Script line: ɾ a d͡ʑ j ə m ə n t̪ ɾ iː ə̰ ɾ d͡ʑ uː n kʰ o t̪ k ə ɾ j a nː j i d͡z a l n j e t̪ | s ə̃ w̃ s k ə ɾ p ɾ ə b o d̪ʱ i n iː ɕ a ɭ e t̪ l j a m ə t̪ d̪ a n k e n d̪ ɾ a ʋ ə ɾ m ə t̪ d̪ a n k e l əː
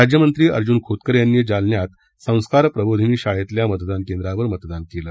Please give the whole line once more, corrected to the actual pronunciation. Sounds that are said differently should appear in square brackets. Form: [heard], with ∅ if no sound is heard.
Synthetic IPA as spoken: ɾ a d͡ʑ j ə m ə n t̪ ɾ iː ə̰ ɾ d͡ʑ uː n kʰ o t̪ k ə ɾ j a nː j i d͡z a l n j [a] t̪ | s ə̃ w̃ s k [a] ɾ p ɾ ə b o d̪ʱ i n iː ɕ a ɭ e t̪ l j a m ə t̪ d̪ a n k e n d̪ ɾ a ʋ ə ɾ m ə t̪ d̪ a n k e l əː